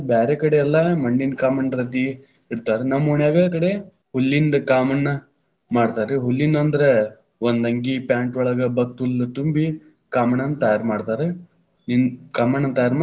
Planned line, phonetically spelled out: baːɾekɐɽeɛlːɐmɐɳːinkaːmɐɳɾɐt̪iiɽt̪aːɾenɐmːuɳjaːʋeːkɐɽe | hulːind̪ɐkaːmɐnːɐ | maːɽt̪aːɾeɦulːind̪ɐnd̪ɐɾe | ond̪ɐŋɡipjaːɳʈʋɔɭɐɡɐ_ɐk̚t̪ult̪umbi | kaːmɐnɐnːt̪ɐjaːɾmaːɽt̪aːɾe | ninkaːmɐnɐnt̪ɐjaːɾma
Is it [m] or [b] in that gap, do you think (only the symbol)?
b